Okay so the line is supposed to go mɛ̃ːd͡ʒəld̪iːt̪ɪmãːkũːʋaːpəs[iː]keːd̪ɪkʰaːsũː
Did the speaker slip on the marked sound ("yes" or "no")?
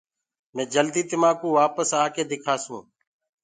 yes